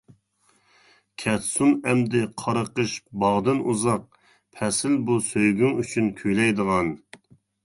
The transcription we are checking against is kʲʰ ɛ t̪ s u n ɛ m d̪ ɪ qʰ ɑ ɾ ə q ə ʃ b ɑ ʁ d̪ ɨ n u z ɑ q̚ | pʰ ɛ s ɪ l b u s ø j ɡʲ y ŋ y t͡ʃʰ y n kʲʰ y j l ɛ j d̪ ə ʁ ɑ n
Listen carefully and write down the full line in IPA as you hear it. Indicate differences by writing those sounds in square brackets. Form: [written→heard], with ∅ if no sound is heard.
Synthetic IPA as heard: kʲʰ ɛ t̪ s u n ɛ m d̪ ɪ qʰ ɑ ɾ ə q ə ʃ b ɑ ʁ d̪ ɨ n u z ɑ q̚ | pʰ ɛ s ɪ l b u s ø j ɡʲ y ŋ y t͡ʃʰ y n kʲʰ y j l ɛ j d̪ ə ʁ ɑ n